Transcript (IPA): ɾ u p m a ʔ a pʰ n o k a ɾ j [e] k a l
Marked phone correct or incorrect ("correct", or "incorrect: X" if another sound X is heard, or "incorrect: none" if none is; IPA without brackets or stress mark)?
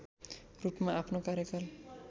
correct